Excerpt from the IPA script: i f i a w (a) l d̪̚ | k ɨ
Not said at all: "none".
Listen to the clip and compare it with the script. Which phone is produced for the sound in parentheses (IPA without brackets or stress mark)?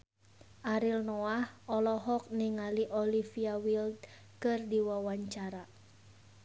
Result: i